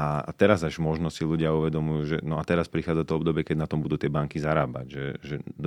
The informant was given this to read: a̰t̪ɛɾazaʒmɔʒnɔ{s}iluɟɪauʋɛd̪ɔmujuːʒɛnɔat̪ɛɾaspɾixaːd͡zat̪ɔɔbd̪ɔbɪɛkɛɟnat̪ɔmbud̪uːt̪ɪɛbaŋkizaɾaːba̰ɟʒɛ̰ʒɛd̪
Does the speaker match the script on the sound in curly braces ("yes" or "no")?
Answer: yes